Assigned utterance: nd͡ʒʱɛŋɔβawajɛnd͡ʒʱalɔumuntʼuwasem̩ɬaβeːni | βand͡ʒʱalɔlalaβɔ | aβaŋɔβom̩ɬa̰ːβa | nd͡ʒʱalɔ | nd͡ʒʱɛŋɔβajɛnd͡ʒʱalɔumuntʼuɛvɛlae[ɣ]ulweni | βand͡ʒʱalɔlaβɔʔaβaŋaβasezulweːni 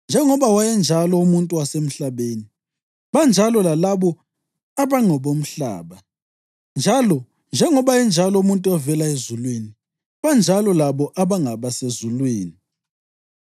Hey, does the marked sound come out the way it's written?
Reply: no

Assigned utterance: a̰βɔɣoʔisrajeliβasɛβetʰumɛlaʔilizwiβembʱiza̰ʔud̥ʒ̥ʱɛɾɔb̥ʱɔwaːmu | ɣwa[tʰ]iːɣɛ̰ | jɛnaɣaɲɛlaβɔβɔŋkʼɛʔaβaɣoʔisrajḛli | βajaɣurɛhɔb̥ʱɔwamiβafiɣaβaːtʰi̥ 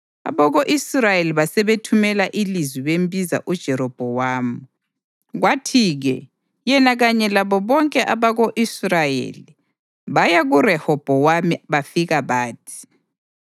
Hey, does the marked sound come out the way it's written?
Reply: yes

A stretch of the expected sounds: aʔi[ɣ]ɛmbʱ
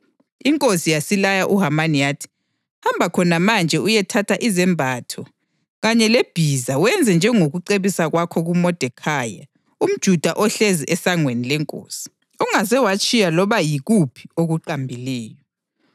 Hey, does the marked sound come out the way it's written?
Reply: no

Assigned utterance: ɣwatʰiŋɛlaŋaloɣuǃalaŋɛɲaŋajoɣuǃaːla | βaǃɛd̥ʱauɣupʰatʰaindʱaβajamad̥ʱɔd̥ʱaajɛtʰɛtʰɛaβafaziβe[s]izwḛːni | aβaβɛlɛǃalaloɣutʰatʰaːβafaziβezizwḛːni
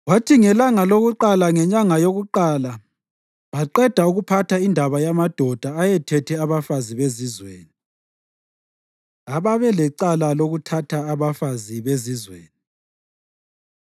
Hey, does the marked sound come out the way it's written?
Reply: no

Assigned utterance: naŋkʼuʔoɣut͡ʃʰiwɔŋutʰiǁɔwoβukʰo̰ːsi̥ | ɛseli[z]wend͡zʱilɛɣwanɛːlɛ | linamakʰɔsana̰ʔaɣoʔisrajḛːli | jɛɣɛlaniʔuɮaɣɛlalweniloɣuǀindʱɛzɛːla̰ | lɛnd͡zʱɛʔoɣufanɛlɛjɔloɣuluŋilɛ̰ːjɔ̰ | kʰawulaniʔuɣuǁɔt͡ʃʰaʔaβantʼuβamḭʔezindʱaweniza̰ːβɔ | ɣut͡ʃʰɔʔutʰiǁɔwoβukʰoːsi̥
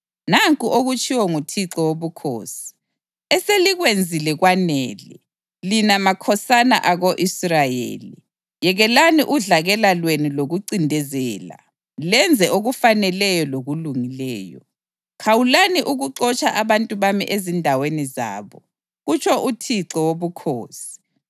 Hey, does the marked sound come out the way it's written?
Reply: no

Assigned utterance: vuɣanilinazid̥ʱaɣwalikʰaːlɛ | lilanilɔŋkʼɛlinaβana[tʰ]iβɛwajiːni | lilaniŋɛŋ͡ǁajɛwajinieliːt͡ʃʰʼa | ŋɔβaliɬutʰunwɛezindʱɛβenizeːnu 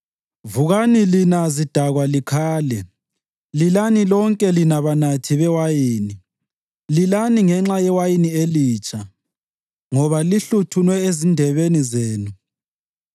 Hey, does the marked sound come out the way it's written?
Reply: yes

